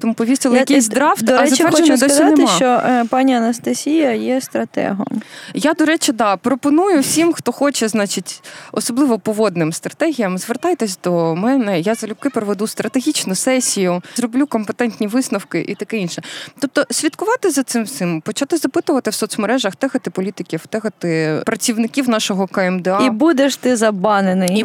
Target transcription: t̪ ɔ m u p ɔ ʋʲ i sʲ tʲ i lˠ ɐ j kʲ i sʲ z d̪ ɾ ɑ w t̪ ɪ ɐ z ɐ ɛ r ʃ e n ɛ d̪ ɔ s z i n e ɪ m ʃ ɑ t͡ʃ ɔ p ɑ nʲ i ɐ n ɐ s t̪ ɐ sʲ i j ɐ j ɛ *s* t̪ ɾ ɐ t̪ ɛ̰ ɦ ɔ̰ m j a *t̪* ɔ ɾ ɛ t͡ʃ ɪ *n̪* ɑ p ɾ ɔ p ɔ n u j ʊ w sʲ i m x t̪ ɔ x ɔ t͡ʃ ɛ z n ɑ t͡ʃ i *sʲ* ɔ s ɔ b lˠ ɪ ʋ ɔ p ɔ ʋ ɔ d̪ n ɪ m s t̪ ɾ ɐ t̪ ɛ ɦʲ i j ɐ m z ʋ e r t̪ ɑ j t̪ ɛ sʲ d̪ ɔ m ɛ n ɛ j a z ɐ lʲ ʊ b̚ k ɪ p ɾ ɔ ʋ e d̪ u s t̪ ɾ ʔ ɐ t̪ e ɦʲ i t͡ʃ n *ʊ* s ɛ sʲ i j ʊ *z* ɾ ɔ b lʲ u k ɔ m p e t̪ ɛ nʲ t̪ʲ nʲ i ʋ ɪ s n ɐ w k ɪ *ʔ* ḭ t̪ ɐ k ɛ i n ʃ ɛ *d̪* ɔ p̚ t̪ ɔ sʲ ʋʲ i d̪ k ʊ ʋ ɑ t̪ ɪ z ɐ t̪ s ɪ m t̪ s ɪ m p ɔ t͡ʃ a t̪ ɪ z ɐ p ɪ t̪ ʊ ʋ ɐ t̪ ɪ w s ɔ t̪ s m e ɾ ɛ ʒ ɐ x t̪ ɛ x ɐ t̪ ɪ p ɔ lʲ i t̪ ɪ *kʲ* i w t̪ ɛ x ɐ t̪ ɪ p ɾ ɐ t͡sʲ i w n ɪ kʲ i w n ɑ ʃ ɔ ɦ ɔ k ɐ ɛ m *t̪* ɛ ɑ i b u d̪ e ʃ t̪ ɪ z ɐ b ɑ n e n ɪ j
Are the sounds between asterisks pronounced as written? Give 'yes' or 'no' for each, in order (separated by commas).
yes, no, no, no, yes, yes, yes, no, yes, no